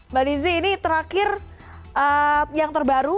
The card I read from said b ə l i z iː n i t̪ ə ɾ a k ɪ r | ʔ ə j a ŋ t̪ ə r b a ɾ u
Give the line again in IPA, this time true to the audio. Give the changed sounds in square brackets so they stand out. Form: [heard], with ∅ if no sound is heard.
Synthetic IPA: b [a] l i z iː n i t̪ ə ɾ a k ɪ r | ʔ ə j a ŋ t̪ ə r b a ɾ u